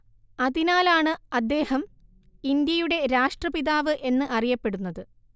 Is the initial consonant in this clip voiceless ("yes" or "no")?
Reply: no